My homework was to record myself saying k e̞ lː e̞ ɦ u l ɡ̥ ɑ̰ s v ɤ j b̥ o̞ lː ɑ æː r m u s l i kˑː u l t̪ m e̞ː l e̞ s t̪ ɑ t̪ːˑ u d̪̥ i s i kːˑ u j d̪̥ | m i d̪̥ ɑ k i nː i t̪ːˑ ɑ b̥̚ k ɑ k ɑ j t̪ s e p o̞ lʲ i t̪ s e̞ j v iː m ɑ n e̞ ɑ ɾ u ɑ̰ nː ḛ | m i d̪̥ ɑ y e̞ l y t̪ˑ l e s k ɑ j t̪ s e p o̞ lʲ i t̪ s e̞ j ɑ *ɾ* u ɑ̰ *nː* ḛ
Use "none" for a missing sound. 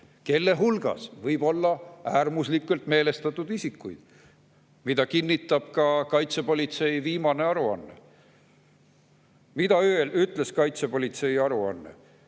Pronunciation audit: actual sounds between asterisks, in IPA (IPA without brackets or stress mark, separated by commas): ɾ, nː